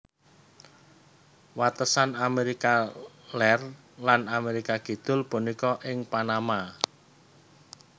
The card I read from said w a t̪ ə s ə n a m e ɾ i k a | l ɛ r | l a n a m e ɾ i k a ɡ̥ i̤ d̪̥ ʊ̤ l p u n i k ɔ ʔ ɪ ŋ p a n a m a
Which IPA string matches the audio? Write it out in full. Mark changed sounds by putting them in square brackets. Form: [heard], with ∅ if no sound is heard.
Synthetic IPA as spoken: w a t̪ ə s [a] n a m e ɾ i k a | l ɛ r | l a n a m e ɾ i k a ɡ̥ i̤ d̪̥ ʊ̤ l p u n i k ɔ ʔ ɪ ŋ p a n a m a